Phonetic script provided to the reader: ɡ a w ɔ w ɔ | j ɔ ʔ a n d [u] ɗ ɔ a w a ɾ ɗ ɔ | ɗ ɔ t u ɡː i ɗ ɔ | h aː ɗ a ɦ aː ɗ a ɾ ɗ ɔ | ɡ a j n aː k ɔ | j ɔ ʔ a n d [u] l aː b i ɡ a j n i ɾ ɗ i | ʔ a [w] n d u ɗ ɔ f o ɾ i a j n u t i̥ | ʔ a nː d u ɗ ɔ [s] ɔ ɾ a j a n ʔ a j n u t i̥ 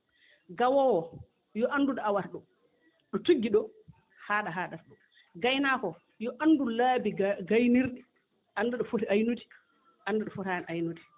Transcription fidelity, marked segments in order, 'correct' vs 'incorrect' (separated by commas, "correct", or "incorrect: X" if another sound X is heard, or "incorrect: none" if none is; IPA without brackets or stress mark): correct, correct, incorrect: none, incorrect: f